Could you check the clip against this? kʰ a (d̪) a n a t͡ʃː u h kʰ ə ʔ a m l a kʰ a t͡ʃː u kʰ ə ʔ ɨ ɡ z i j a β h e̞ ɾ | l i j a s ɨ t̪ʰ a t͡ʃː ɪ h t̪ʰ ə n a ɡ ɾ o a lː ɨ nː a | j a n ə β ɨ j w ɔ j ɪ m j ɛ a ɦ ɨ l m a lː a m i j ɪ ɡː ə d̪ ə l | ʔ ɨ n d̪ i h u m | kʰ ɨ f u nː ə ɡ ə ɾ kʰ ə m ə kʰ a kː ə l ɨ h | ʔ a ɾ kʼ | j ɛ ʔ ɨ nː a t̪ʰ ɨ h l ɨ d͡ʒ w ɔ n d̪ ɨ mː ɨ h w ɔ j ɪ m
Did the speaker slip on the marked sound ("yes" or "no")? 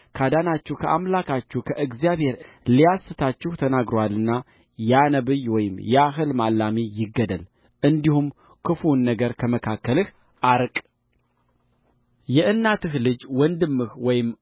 no